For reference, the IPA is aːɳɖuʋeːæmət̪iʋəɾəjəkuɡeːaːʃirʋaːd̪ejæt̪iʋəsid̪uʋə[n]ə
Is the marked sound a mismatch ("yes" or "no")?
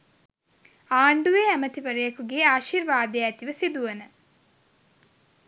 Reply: no